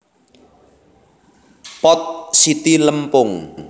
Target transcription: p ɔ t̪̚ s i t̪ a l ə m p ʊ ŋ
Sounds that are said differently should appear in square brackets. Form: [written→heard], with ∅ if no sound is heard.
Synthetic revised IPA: p ɔ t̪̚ s i t̪ [a→i] l ə m p ʊ ŋ